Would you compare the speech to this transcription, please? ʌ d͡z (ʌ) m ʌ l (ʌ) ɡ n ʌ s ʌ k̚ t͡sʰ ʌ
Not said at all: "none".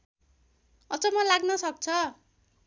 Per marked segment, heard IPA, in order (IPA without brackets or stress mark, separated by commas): ʌ, a